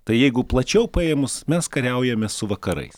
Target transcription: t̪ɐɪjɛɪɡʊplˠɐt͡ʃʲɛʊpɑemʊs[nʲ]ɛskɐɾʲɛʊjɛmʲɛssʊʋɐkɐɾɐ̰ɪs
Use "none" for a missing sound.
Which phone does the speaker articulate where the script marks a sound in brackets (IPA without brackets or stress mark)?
mʲ